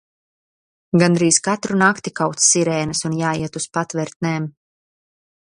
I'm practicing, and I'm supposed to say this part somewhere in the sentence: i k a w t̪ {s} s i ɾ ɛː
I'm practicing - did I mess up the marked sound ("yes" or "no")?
no